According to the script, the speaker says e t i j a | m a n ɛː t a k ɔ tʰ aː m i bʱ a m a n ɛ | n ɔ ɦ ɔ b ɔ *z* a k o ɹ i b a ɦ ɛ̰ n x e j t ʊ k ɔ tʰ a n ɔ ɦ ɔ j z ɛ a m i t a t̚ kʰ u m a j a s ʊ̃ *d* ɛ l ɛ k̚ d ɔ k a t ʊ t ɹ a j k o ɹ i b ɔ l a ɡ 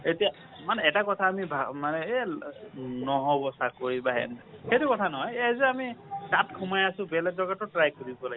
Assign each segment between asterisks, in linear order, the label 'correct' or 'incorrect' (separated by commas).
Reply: incorrect, incorrect